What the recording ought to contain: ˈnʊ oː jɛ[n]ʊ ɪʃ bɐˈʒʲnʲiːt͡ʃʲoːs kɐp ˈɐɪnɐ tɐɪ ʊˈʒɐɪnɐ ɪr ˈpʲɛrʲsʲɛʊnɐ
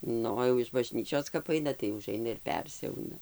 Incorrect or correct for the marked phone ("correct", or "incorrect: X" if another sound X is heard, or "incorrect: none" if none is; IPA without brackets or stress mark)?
incorrect: none